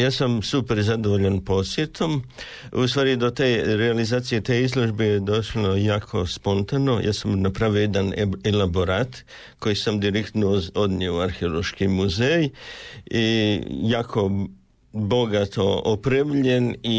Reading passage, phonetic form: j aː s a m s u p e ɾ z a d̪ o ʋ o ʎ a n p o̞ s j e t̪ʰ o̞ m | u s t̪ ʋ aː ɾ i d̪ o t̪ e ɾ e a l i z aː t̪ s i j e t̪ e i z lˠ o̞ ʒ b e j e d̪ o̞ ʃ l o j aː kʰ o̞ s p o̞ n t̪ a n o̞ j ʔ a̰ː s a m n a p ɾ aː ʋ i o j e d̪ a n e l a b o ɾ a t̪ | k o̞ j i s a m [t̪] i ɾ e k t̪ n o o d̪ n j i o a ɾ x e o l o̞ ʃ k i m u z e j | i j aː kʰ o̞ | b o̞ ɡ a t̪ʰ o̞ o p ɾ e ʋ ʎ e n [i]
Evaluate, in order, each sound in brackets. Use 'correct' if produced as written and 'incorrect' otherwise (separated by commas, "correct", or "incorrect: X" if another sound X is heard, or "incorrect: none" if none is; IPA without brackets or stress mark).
incorrect: d̪, correct